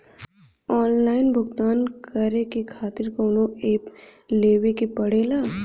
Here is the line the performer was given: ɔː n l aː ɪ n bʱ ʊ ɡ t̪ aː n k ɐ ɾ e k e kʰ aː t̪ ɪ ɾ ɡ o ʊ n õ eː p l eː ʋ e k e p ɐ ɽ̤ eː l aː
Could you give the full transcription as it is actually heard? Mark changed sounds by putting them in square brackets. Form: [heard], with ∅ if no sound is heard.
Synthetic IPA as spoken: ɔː n l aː ɪ n bʱ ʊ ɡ t̪ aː n k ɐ ɾ e k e kʰ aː t̪ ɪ ɾ [k] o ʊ n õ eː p l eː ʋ e k e p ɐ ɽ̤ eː l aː

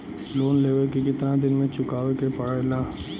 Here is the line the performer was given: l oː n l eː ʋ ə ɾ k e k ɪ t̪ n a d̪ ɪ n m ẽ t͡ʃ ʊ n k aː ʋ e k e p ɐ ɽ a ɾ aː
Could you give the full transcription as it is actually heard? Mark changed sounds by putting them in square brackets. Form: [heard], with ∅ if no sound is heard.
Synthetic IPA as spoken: l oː n l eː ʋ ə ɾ k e k ɪ t̪ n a d̪ ɪ n m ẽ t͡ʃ ʊ [∅] k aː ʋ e k e p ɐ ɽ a [l] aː

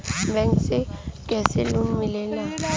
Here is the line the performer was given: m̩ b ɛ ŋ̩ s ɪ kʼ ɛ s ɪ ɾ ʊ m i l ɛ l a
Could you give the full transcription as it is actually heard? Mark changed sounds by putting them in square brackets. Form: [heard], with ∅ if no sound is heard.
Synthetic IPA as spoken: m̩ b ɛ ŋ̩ s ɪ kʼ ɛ s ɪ [l] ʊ m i l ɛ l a

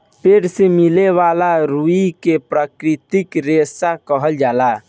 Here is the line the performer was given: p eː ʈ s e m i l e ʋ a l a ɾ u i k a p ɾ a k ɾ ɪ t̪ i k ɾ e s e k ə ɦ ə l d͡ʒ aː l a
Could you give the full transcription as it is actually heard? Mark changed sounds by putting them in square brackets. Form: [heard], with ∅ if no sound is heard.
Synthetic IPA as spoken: p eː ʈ s e m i l e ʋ a l a ɾ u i k [e] p ɾ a k ɾ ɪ t̪ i k ɾ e s [a] k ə ɦ ə l d͡ʒ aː l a

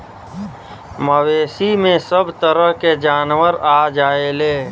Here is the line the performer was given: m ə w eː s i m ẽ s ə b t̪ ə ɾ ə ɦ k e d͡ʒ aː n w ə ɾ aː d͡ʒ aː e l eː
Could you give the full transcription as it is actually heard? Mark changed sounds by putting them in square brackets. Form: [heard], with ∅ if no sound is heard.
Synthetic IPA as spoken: m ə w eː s i m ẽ s ə b t̪ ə ɾ ə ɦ k e d͡ʒ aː n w ə ɾ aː d͡ʒ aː e l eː

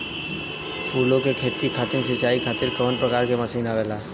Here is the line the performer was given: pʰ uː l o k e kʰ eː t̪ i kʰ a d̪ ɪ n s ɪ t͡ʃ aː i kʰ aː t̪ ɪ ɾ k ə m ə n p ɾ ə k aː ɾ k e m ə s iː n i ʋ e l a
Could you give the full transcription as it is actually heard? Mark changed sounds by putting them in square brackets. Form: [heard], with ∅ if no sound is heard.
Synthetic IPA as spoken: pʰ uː l o k e kʰ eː t̪ i kʰ a [t̪] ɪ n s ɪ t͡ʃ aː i kʰ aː t̪ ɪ ɾ k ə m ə n p ɾ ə k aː ɾ k e m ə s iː n [a] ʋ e l a

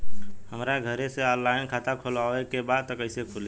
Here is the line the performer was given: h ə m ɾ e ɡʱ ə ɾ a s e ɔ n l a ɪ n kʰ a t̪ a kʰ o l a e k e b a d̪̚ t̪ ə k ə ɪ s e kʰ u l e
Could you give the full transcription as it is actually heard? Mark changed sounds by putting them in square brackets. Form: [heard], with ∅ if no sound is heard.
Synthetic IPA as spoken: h ə m ɾ [a] ɡʱ ə ɾ [e] s e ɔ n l a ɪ n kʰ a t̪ a kʰ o l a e k e b a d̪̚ t̪ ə k ə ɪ s e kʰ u l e

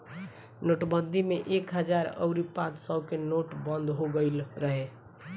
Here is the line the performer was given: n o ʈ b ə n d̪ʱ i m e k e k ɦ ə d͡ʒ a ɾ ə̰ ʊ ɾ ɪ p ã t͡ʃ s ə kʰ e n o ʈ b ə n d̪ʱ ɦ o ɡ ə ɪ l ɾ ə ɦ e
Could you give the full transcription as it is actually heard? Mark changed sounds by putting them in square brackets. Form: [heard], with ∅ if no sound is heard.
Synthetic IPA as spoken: n o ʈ b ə n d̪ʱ i m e [ʔ] e k ɦ ə d͡ʒ a ɾ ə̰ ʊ ɾ [i] p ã t͡ʃ s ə [k] e n o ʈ b ə n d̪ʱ ɦ o ɡ ə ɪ l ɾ ə ɦ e

